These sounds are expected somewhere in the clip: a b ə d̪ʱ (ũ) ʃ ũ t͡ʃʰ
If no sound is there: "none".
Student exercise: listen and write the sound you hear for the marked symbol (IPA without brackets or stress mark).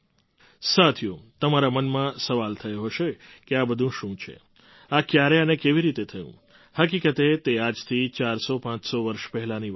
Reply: ũ